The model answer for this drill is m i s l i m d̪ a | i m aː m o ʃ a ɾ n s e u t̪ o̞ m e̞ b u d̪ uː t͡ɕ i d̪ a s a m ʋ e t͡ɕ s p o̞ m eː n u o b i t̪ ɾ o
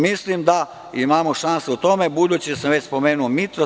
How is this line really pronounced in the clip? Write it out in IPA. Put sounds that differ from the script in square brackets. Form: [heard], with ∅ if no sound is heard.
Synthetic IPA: m i s l i m d̪ a | i m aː m o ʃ a [∅] n s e u t̪ o̞ m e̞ b u d̪ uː t͡ɕ i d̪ a s a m ʋ e t͡ɕ s p o̞ m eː n u o [m] i t̪ ɾ o